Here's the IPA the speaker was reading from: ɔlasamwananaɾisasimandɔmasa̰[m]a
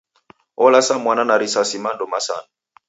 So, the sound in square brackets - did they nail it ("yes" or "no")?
no